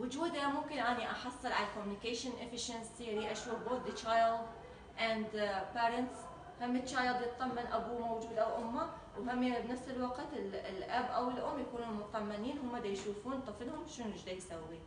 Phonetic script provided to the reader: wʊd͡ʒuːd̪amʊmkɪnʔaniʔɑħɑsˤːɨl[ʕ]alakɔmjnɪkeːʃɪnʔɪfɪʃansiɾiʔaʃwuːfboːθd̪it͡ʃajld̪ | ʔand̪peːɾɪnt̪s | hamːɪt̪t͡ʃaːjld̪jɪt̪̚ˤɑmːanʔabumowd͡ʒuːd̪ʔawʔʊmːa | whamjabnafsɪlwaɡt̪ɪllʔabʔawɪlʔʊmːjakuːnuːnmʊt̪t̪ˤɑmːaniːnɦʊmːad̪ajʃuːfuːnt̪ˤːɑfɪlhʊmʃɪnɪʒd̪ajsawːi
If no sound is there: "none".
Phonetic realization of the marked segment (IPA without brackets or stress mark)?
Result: ʕ